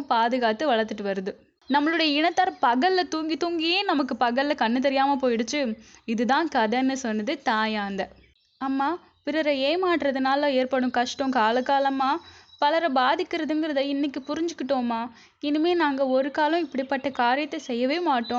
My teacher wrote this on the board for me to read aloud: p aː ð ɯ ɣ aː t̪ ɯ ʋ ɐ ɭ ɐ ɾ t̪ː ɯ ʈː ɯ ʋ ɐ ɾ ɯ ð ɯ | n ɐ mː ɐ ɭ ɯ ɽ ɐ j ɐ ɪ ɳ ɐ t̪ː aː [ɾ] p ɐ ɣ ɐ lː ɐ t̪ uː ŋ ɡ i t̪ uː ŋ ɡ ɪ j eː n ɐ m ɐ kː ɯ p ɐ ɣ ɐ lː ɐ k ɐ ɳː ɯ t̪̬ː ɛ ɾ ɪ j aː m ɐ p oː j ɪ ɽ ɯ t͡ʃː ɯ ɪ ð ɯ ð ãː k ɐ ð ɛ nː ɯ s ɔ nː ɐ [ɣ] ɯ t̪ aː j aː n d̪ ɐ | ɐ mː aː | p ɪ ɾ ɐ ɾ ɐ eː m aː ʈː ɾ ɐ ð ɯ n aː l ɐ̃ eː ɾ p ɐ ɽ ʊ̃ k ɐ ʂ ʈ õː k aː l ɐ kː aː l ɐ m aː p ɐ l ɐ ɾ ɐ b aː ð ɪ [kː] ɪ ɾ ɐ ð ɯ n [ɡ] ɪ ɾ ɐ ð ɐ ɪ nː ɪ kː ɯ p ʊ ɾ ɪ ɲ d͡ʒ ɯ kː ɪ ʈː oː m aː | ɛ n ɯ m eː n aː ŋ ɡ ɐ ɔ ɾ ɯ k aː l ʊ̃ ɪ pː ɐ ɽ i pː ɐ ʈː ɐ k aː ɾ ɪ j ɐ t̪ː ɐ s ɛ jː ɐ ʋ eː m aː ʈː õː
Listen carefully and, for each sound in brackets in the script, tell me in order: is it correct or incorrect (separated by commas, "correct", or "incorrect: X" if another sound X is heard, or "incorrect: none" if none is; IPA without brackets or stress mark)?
correct, incorrect: ð, correct, correct